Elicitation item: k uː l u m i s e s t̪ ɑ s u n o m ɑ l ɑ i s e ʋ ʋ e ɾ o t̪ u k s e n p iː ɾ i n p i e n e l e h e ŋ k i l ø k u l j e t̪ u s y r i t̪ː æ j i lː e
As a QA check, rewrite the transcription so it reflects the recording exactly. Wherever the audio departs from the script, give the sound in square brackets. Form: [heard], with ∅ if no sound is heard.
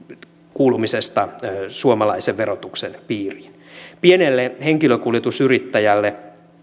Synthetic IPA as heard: k uː l u m i s e s t̪ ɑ s u [∅] o m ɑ l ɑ i s e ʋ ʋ e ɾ o t̪ u k s e n p iː [r] i n p i e n e [lː] e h e ŋ k i l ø k u l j e t̪ u s y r i t̪ː æ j [æ] lː e